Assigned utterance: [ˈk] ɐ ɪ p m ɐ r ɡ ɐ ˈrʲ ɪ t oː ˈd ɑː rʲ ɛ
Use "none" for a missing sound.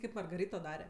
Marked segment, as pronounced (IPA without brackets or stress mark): k